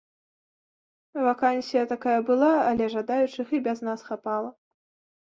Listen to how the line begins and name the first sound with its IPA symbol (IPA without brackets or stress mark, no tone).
v